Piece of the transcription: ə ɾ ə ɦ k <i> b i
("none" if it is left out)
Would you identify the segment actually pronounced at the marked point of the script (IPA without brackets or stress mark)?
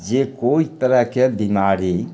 e